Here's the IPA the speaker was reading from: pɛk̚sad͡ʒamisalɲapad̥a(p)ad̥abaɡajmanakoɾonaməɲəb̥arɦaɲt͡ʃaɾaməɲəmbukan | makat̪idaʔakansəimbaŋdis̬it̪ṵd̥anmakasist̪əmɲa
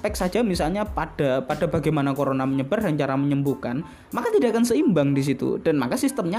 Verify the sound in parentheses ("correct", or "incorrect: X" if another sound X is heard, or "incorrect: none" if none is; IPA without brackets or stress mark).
correct